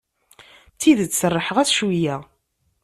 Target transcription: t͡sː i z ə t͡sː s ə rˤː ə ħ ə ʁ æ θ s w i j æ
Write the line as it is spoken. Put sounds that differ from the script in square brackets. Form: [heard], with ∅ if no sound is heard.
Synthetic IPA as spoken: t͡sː i [ð] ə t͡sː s ə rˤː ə ħ ə ʁ æ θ [ʃ] w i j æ